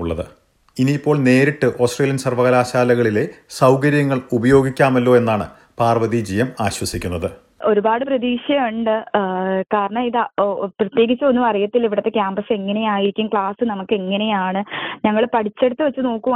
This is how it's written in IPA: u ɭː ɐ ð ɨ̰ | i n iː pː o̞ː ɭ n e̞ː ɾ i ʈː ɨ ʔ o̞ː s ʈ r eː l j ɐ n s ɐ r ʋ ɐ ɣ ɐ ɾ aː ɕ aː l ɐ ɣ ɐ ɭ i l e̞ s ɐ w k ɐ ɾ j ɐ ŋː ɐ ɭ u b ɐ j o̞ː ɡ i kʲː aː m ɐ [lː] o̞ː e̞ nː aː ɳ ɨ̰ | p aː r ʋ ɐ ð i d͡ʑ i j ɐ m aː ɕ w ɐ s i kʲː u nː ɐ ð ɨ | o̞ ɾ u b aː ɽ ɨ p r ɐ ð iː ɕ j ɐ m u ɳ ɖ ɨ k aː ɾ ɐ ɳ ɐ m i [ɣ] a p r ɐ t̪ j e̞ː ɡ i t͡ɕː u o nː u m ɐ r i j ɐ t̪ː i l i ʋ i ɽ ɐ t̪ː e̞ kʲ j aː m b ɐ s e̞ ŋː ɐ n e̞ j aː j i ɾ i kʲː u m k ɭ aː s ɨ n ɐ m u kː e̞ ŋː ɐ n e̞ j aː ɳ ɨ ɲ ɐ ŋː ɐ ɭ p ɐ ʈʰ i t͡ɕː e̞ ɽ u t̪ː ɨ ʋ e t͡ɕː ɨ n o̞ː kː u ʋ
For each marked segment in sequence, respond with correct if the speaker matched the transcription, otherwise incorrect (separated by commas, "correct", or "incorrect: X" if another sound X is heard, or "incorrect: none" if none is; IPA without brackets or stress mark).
correct, incorrect: ð